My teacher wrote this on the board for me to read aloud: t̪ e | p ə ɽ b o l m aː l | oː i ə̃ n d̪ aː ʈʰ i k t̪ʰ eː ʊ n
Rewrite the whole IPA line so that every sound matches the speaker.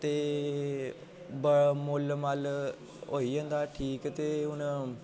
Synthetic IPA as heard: t̪ e | b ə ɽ m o l m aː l | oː i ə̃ n d̪ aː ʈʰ iː k t̪ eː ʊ n